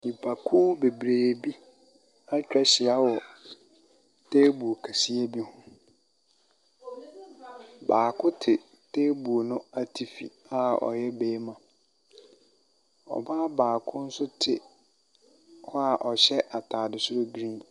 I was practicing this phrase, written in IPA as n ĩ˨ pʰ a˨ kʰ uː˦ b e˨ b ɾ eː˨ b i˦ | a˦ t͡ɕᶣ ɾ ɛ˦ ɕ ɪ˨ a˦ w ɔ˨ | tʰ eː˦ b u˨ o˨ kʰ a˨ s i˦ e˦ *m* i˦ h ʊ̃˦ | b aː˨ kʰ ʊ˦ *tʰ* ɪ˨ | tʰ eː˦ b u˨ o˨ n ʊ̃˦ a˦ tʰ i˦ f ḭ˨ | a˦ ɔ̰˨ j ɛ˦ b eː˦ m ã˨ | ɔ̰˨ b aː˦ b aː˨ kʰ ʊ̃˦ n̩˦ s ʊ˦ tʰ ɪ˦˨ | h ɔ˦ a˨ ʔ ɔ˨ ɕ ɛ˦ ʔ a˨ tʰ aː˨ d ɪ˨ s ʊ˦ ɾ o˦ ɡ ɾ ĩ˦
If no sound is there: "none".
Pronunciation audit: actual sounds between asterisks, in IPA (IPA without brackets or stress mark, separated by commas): b, tʰ